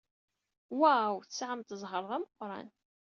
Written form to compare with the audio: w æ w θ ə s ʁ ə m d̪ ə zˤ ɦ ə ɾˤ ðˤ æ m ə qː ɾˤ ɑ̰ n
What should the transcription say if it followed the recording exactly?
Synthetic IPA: w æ w θ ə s ʕ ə m t̪ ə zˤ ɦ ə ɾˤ ðˤ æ m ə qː ɾˤ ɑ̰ n

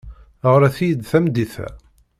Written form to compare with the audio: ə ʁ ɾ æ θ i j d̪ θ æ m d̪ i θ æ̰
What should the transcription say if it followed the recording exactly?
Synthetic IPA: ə ʁ ɾ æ θ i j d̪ θ æ m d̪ i θ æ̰

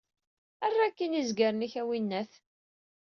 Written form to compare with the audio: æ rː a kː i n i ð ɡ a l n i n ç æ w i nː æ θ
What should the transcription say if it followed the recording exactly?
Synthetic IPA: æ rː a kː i n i z ɡ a ɾ n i ç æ w i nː æ θ

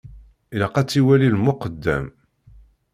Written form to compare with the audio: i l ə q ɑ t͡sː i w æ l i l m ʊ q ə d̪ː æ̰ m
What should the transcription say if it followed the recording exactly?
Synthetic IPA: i l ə q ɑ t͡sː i w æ l i l m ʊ q ə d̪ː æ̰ m

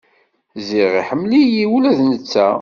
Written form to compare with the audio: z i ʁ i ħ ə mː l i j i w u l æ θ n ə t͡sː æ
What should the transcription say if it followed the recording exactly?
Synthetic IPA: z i ʁ i ħ ə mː l i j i w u l æ ð n ə t͡sː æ

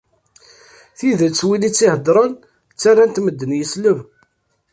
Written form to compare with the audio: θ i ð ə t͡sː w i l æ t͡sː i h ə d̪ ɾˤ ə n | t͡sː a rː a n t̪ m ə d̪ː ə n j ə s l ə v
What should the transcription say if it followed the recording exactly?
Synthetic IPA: θ i ð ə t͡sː w i l i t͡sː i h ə d̪ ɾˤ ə n | t͡sː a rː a n t̪ m ə d̪ː ə n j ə s l ə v

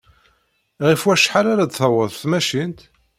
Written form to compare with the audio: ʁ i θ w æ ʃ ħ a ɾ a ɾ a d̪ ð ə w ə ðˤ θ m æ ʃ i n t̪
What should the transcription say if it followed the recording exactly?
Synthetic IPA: ʁ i f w æ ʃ ħ a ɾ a ɾ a d̪ θ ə w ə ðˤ θ m æ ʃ i n t̪

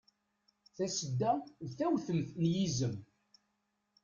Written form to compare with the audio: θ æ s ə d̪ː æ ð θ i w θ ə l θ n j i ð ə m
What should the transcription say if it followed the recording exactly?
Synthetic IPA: θ æ s ə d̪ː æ ð θ æ w θ ə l θ n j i z ə m

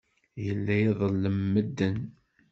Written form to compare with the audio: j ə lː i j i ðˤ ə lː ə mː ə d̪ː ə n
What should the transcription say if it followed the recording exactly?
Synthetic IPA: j ə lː æ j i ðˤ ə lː ə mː ə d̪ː ə n

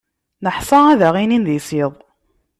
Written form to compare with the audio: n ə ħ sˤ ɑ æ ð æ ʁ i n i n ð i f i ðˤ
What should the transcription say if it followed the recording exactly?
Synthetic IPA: n ə ħ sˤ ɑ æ ð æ ʁ i n i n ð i s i ðˤ

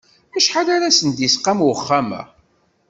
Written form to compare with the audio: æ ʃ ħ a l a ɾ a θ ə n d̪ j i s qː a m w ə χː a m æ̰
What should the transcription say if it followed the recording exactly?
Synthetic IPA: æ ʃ ħ a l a ɾ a s ə n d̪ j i s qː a m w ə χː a m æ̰

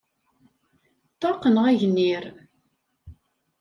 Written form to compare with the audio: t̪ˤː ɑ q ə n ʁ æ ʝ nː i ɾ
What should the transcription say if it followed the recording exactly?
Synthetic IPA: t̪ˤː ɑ q ə n ʁ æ ʝ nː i ɾ

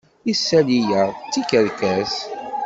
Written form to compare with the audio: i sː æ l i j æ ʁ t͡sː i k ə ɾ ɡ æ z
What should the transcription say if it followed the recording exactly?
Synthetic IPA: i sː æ l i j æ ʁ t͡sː i k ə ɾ k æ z

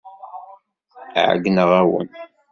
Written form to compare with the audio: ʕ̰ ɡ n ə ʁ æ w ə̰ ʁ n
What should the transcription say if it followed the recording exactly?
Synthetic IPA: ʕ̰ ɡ n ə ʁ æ w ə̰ n

